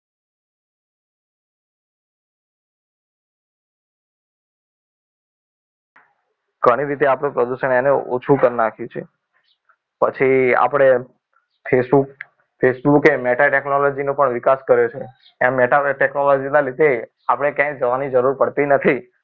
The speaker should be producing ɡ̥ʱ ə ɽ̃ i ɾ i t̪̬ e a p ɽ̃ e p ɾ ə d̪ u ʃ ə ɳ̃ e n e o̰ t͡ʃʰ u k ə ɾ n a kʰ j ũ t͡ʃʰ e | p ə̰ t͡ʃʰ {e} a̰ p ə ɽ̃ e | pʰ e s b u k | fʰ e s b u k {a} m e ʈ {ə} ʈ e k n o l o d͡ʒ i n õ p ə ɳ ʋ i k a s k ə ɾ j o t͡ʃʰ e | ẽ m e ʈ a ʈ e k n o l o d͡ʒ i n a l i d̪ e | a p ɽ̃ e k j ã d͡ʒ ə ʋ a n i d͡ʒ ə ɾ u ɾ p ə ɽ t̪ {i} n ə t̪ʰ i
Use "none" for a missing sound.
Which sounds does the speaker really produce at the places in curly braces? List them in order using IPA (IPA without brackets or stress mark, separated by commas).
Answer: i, e, a, i